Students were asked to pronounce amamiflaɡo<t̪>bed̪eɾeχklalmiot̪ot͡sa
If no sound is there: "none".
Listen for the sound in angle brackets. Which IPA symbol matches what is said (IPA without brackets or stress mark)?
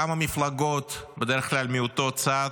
t̪